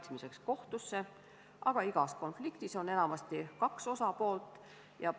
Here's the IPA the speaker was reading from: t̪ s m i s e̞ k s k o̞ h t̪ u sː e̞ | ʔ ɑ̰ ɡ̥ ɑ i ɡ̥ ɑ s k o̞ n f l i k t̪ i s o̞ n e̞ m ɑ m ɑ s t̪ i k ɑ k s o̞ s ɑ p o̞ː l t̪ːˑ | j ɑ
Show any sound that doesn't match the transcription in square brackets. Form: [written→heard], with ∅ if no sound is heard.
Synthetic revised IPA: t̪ s m i s e̞ k s k o̞ h t̪ u sː e̞ | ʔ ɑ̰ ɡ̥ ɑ i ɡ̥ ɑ s k o̞ n f l i k t̪ i s o̞ n e̞ [m→n] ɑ m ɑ s t̪ i k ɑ k s o̞ s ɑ p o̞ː l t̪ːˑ | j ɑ